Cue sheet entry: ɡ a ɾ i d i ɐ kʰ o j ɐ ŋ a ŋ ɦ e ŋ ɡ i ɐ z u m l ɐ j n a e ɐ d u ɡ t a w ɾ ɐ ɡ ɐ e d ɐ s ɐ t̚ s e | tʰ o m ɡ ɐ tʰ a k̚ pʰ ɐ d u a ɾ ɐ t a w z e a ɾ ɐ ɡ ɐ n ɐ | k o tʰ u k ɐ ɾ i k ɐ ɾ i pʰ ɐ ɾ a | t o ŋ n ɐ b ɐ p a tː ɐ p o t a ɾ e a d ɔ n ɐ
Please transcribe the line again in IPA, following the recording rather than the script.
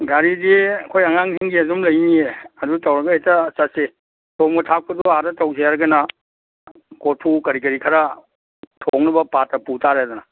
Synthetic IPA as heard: ɡ a ɾ i d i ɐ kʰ o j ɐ ŋ a ŋ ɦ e ŋ ɡ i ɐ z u m l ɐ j n i e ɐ d u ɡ t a w ɾ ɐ ɡ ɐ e t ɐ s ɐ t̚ s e | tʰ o m ɡ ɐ tʰ a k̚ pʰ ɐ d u a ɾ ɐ t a w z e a ɾ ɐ ɡ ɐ n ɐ | k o tʰ u k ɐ ɾ i k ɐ ɾ i kʰ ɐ ɾ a | tʰ o ŋ n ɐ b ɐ p a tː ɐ p u t a ɾ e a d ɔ n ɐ